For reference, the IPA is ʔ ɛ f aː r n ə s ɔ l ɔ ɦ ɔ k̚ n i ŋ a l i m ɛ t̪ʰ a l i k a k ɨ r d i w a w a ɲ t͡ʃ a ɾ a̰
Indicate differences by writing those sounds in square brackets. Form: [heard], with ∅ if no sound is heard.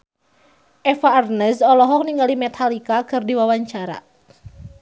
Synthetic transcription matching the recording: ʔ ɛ f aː r n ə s ɔ l ɔ ɦ ɔ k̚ n i ŋ a l i m ɛ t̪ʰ a l i k a k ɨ r d i w a w a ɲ t͡ʃ a ɾ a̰